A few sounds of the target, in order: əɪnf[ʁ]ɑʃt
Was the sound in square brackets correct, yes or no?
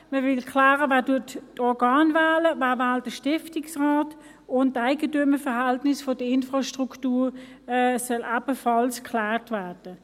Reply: yes